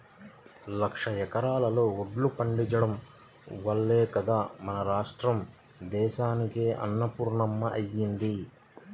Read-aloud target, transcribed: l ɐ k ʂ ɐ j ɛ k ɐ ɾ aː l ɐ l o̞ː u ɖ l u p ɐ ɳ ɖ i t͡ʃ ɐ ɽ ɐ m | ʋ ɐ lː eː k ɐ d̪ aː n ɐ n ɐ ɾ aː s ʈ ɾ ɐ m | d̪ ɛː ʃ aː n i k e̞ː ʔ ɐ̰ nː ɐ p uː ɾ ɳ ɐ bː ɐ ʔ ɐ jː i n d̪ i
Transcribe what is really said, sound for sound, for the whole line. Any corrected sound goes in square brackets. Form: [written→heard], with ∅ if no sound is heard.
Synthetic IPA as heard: l ɐ k ʂ ɐ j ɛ k ɐ ɾ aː l ɐ l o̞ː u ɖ l u p ɐ ɳ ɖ i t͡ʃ ɐ ɽ ɐ m | ʋ ɐ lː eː k ɐ d̪ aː [n→m] ɐ n ɐ ɾ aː [s→ʂ] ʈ ɾ ɐ m | d̪ ɛː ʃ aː n i k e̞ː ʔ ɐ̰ nː ɐ p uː ɾ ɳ ɐ [bː→mː] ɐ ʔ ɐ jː i n d̪ i